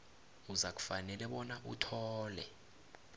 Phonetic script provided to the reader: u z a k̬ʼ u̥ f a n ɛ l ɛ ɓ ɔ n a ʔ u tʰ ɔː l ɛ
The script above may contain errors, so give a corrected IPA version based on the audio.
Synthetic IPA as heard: u z a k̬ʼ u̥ f a n ɛ l ɛ ɓ ɔ n a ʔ u tʰ ɔː l ɛ

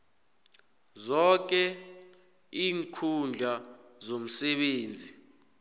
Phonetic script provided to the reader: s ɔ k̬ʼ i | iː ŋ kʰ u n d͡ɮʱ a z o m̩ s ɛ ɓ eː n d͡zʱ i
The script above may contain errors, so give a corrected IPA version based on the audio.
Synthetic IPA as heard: z ɔ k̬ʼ ɛ | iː ŋ kʰ u n d͡ɮʱ a z o m̩ s ɛ ɓ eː n d͡zʱ i

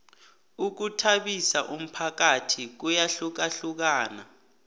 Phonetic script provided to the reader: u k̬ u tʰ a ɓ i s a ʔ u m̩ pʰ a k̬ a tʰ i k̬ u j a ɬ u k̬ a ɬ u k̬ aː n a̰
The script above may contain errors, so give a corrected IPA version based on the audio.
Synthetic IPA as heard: u k̬ u tʰ a ɓ i s a ʔ u m̩ pʰ a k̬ a tʰ i k̬ u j a ɬ u k̬ a ɬ u k̬ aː n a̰

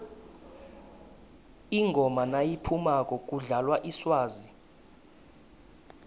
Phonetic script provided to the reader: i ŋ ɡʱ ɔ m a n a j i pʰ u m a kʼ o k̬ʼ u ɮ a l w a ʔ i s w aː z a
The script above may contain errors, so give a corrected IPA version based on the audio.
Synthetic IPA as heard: i ŋ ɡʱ ɔ m a n a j i pʰ u m a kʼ ɔ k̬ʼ u ɮ a l w a ʔ i s w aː z i

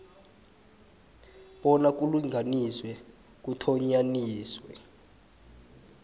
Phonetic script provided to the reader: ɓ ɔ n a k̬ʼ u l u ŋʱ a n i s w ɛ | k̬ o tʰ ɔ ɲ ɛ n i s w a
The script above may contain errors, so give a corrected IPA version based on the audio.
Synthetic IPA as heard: ɓ ɔ n a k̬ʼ u l u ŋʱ a n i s w ɛ | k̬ u tʰ ɔ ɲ a n iː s w ɛ

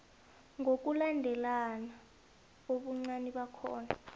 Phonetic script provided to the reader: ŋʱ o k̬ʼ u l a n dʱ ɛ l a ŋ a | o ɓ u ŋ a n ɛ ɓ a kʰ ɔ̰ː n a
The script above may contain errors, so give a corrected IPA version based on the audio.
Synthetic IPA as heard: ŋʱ o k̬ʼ u l a n dʱ ɛ l a n a | o ɓ u ŋ͡ǀ a n i ɓ a kʰ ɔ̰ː n a

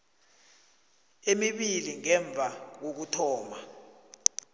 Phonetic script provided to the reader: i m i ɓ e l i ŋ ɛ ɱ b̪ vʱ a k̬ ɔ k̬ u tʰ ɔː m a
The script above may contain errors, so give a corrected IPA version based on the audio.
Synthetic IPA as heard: e m i ɓ i l i ŋ ɛ ɱ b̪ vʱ a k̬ o k̬ u tʰ ɔː m a

